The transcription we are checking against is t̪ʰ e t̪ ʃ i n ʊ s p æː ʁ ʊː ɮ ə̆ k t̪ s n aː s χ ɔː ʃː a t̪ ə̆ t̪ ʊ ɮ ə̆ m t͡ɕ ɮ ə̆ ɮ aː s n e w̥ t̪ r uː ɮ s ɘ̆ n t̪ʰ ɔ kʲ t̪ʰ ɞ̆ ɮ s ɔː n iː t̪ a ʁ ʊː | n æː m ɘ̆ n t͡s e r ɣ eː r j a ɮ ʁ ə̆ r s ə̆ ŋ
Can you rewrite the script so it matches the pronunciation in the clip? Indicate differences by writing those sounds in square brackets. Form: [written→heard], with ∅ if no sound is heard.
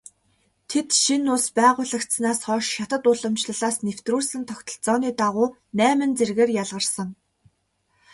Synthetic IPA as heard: t̪ʰ e t̪ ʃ i n ʊ s p æː ʁ ʊː ɮ ə̆ k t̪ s n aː s χ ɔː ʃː a t̪ ə̆ t̪ ʊ ɮ ə̆ m t͡ɕ ɮ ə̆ ɮ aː s n e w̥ t̪ r uː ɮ s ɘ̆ n t̪ʰ ɔ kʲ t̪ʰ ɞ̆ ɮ [s→t͡s] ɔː n iː t̪ a ʁ ʊː | n æː m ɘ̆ n t͡s e r ɣ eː r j a ɮ ʁ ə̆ r s ə̆ ŋ